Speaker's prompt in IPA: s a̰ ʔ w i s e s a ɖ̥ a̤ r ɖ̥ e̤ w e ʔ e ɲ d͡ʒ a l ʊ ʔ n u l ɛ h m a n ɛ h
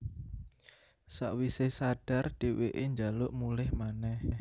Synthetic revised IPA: s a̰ ʔ w i s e s a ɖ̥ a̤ r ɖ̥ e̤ w e ʔ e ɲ d͡ʒ a l ʊ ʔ m u l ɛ h m a n ɛ h